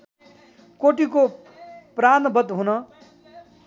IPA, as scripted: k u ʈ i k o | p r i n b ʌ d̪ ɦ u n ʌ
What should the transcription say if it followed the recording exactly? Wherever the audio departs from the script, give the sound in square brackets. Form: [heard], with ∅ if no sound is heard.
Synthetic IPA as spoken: k [o] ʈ i k o | p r [a] n b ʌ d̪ ɦ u n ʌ